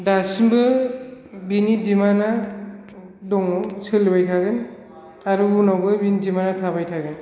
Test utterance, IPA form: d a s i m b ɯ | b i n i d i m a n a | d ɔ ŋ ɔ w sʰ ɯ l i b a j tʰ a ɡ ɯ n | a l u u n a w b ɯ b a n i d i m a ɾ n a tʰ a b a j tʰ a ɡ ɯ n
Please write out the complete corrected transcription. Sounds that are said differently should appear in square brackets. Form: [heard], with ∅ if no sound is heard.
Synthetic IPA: d a s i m b ɯ | b i n i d i m a n a | d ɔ ŋ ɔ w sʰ ɯ l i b a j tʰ a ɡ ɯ n | a [ɾ] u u n a w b ɯ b [i] n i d i m a [∅] n a tʰ a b a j tʰ a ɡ ɯ n